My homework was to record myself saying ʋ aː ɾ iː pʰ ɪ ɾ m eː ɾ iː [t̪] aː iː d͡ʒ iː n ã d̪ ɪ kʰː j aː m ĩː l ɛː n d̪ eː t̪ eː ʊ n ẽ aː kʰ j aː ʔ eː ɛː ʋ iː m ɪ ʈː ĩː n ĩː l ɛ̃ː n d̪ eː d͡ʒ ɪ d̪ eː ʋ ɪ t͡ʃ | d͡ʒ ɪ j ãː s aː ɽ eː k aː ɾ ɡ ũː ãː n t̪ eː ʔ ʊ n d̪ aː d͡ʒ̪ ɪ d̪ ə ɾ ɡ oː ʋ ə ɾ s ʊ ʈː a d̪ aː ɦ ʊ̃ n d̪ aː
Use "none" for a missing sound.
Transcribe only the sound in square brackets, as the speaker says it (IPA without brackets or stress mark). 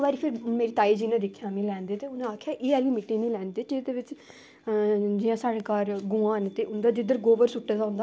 t̪